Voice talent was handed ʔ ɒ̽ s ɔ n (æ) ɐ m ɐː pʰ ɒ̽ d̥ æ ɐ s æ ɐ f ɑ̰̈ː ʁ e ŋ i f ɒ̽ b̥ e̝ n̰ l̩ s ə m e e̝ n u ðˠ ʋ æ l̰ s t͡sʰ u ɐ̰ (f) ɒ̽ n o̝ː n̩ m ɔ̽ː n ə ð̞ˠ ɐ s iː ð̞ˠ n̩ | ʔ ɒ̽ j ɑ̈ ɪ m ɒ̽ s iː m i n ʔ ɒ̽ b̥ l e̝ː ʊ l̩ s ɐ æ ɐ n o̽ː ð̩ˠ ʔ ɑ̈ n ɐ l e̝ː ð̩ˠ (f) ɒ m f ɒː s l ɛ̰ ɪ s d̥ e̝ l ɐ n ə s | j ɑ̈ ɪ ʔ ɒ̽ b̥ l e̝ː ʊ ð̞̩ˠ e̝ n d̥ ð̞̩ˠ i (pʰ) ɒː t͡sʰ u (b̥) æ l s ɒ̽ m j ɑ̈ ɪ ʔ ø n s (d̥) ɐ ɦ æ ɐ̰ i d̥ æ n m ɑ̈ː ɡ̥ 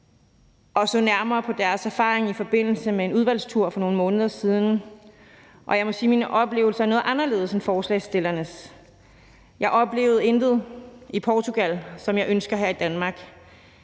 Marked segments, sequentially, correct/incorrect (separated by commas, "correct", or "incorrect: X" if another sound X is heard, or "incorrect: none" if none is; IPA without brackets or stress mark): correct, correct, incorrect: s, correct, incorrect: ɡ̥, incorrect: ɡ̥